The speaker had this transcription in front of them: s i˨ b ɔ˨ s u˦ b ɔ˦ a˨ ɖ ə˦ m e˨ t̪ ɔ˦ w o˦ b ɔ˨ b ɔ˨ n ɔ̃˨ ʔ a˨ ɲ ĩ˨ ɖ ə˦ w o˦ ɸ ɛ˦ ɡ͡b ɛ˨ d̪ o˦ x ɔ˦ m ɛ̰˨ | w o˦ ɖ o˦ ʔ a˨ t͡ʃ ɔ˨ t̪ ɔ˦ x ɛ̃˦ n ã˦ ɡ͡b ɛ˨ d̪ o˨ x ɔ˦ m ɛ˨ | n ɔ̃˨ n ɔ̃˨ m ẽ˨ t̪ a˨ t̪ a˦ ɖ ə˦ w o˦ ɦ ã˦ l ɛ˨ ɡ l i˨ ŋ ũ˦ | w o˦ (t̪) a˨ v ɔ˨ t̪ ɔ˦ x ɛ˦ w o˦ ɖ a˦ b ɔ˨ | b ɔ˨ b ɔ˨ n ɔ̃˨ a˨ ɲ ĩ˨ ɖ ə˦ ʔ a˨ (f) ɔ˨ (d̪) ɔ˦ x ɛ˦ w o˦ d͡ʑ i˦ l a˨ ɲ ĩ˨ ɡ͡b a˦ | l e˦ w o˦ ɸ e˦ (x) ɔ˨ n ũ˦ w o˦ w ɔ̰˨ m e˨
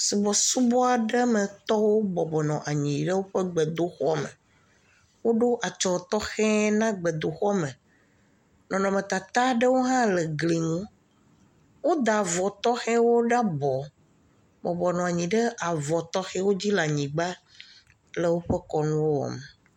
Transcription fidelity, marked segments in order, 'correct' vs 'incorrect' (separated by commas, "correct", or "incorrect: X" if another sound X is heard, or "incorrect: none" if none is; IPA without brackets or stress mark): incorrect: d̪, incorrect: v, incorrect: t̪, incorrect: k